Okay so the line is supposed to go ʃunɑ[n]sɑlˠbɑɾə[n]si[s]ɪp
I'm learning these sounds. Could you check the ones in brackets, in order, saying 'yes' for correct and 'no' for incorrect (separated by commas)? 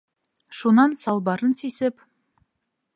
yes, yes, yes